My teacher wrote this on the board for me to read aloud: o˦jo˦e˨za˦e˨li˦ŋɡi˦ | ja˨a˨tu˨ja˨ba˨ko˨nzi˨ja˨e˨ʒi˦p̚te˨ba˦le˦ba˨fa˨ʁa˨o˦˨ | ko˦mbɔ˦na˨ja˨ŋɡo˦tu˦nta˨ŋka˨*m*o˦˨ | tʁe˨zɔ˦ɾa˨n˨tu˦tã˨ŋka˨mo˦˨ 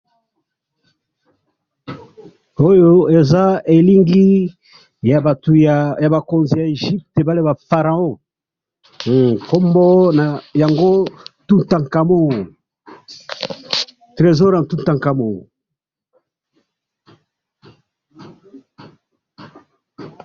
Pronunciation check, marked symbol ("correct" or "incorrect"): correct